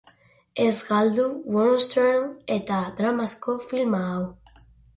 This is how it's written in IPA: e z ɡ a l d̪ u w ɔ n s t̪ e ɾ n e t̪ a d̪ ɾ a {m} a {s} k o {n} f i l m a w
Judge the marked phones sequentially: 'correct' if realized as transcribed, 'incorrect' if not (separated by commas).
correct, correct, incorrect